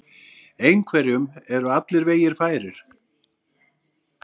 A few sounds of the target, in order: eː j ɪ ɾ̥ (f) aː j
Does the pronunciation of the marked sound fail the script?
no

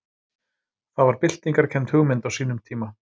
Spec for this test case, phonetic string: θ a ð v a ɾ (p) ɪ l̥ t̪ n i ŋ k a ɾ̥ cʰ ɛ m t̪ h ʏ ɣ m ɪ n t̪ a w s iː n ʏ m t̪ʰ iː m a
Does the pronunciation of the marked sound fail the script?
no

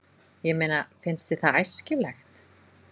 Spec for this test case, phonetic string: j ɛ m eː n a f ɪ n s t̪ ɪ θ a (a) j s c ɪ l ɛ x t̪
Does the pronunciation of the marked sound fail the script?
no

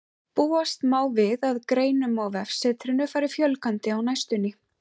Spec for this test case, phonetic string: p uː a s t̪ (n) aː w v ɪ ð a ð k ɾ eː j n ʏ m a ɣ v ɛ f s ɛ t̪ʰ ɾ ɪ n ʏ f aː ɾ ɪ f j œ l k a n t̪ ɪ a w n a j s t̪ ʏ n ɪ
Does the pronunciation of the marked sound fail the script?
yes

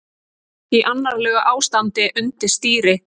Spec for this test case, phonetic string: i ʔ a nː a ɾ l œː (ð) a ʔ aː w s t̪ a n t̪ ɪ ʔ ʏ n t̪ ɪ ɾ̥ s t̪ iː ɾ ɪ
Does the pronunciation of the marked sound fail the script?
yes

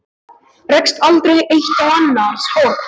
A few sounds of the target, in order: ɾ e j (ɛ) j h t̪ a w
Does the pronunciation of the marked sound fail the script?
yes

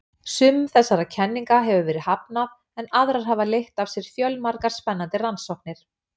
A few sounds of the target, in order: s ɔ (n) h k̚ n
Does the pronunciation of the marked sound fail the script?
yes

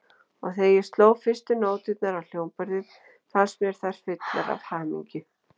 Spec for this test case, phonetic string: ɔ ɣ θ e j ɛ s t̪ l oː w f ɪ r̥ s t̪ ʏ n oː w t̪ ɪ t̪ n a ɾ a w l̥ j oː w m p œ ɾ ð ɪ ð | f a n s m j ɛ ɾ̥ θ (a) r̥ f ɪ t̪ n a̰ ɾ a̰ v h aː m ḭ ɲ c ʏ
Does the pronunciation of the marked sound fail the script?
no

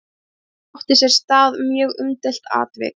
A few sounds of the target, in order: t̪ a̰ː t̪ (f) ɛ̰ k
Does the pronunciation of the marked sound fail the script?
yes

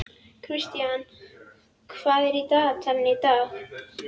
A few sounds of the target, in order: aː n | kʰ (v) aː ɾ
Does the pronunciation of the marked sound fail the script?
yes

